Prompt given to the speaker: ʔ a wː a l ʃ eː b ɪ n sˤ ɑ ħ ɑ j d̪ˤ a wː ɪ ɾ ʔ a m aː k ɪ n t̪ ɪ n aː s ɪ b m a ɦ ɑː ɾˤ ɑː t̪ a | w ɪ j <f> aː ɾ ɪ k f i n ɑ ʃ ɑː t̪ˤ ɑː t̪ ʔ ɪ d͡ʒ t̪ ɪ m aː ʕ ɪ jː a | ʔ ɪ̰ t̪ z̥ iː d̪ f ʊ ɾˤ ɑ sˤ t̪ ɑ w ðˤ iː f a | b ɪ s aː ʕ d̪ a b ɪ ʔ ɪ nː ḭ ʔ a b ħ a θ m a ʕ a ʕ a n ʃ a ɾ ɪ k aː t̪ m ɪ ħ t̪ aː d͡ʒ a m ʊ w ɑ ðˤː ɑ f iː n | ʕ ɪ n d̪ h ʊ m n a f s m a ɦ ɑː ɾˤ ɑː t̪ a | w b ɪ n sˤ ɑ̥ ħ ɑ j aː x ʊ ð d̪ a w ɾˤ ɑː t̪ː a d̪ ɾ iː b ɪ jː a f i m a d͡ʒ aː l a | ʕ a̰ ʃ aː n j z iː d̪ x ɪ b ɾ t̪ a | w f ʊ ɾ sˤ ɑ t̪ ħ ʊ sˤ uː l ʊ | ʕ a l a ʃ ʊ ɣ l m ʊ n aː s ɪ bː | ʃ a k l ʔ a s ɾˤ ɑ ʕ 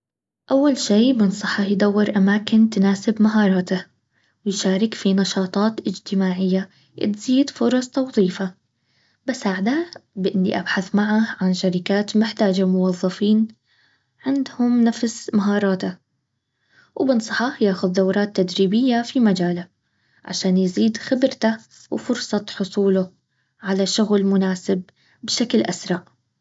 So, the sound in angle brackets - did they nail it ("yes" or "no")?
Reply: no